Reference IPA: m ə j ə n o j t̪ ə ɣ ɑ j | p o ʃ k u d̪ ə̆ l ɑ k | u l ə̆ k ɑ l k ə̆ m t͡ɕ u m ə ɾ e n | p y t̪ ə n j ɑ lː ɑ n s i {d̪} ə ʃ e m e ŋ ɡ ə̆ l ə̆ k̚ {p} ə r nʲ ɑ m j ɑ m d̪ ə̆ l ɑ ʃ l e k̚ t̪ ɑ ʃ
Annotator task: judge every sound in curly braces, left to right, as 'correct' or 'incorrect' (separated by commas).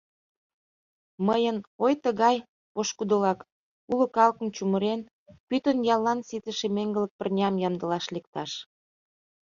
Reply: incorrect, correct